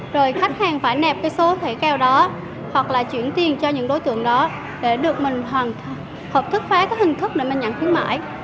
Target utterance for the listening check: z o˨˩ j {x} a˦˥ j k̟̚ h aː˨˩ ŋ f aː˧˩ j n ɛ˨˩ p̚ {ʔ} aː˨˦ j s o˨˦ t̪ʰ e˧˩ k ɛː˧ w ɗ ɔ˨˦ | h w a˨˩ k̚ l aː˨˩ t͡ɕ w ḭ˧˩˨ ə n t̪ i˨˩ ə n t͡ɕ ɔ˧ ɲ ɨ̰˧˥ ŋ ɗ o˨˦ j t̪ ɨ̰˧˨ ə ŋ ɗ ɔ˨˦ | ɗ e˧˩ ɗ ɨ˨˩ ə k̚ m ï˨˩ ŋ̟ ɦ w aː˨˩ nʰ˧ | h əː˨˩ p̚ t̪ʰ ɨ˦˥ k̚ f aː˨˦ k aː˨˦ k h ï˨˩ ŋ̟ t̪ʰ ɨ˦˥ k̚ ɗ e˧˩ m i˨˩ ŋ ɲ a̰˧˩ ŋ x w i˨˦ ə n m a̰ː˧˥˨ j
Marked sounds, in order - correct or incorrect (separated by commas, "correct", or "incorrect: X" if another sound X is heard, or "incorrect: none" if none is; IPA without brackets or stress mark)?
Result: correct, incorrect: k